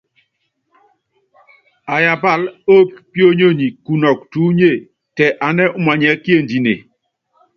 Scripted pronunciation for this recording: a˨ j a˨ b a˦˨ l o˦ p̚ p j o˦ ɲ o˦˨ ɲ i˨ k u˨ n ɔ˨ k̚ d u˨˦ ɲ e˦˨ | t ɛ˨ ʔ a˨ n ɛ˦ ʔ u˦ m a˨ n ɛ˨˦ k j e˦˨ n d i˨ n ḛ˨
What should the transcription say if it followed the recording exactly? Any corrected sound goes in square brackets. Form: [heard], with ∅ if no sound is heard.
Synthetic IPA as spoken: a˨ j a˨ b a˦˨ l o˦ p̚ p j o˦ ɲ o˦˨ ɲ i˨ k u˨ n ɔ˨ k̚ [t] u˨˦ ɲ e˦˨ | t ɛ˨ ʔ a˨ n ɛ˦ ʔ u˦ m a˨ [ɲ] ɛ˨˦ k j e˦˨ n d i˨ n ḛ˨